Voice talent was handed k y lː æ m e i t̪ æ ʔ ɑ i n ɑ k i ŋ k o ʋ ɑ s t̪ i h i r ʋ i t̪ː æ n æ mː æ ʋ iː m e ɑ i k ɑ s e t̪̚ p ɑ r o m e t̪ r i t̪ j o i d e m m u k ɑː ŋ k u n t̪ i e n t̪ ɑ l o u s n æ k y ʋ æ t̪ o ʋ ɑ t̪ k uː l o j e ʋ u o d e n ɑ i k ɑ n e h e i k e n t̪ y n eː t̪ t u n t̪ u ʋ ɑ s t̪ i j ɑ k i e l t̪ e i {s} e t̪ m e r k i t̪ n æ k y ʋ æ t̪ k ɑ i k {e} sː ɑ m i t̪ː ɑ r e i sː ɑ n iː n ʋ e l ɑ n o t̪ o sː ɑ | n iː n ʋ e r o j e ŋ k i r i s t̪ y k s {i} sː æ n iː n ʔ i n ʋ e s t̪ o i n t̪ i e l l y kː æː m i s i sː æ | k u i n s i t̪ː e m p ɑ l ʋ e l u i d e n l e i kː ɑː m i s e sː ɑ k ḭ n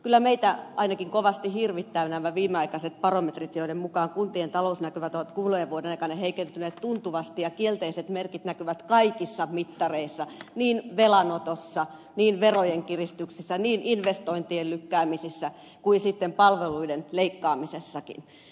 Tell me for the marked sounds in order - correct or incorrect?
correct, incorrect: i, correct

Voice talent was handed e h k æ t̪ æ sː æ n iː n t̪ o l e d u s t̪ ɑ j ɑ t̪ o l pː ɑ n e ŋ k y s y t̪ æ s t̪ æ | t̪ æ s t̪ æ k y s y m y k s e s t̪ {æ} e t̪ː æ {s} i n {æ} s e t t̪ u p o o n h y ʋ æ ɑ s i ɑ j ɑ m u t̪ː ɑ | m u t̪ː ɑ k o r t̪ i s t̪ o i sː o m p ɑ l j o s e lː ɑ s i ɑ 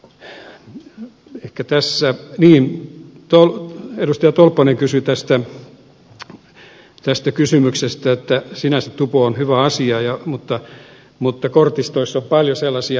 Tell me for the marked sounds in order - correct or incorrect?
correct, correct, correct

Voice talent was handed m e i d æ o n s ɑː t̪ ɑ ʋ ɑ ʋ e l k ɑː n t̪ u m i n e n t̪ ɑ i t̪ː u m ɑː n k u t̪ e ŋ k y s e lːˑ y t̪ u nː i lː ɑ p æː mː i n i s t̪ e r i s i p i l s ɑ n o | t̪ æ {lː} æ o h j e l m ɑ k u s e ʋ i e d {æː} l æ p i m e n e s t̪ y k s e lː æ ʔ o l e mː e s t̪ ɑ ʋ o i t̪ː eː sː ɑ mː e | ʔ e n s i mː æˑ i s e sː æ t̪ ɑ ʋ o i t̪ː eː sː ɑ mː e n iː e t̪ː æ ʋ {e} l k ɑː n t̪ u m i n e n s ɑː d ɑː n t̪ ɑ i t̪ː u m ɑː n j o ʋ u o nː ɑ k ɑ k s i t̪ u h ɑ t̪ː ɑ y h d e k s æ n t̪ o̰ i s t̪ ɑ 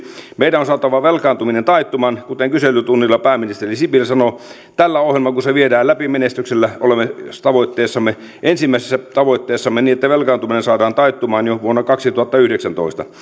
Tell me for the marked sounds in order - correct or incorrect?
correct, correct, correct

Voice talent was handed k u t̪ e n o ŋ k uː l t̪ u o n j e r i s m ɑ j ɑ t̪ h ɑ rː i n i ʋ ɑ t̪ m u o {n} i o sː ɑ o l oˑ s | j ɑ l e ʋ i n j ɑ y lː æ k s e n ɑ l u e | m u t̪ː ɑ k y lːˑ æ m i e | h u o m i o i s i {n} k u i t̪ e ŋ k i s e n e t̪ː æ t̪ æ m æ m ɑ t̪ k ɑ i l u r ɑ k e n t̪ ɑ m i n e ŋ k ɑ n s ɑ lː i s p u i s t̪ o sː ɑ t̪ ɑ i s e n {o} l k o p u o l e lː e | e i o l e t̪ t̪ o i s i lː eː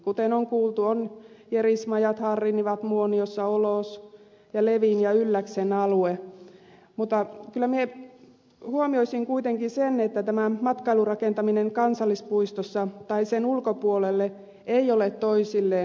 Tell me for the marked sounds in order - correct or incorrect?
correct, incorrect: ŋ, incorrect: u

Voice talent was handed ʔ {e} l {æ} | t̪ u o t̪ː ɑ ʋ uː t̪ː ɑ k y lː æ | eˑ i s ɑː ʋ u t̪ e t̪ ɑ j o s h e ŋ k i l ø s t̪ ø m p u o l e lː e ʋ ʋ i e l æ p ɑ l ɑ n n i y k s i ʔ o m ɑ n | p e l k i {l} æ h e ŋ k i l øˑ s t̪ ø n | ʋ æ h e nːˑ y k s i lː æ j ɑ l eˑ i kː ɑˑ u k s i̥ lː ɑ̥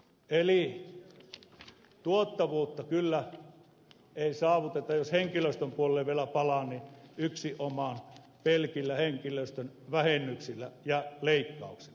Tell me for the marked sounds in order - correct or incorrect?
correct, incorrect: i, incorrect: lː

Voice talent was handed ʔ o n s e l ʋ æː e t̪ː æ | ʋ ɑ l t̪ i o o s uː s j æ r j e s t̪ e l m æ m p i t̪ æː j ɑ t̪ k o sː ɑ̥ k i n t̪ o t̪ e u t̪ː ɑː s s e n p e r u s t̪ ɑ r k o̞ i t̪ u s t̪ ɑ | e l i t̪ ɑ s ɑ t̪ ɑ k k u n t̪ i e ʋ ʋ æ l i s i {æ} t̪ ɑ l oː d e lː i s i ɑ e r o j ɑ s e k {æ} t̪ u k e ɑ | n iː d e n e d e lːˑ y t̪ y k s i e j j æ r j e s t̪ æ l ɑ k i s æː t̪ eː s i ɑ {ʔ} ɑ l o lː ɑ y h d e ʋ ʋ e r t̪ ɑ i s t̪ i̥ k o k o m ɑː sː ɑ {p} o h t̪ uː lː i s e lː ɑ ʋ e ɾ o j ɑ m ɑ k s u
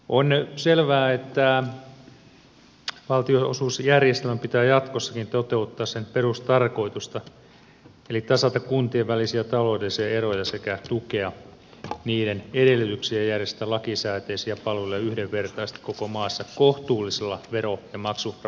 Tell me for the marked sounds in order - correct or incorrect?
correct, correct, incorrect: p, incorrect: k

